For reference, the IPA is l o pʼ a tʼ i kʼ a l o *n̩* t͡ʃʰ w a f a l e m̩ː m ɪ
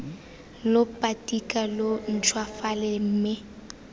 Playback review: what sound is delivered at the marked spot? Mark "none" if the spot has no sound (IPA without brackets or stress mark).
n̩